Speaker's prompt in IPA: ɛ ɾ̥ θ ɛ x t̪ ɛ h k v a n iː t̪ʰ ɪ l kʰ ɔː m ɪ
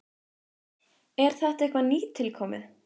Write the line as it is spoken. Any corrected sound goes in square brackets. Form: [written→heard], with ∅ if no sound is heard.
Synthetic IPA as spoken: ɛ ɾ̥ θ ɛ [x→h] t̪ ɛ h k v a n iː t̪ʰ ɪ l kʰ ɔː m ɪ